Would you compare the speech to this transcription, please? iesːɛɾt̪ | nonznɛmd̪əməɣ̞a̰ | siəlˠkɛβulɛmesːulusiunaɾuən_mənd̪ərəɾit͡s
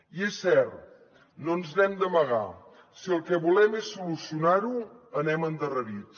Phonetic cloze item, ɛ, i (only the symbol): ɛ